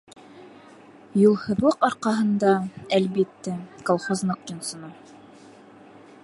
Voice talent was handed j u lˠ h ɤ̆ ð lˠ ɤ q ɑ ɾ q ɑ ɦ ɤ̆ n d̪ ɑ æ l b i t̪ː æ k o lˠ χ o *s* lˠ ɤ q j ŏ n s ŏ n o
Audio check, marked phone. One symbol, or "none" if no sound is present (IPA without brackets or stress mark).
z